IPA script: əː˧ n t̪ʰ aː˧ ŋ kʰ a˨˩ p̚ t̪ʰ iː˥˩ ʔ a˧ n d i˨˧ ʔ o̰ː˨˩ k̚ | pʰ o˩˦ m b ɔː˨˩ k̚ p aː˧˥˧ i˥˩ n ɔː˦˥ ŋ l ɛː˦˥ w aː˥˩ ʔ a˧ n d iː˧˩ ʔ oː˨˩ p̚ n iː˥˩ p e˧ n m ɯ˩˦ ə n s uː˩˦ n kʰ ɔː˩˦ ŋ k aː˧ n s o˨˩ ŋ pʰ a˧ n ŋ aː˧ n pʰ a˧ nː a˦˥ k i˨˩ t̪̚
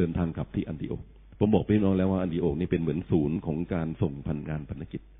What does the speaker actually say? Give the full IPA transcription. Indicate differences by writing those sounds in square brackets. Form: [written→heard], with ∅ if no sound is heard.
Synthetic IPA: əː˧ n t̪ʰ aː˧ ŋ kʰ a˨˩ p̚ t̪ʰ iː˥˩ ʔ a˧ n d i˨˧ ʔ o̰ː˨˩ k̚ | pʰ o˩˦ m b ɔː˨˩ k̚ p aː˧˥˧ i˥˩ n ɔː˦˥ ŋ l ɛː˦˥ w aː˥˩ ʔ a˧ n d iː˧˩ ʔ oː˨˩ [p̚→k̚] n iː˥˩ p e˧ n m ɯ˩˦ ə n s uː˩˦ n kʰ ɔː˩˦ ŋ k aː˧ n s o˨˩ ŋ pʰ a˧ n ŋ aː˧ n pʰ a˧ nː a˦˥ k i˨˩ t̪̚